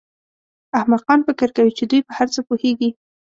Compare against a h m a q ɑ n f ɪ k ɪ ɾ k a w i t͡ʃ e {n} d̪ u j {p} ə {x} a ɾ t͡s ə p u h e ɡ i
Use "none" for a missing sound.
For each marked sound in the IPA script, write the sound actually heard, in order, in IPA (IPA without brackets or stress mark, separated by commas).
none, p, h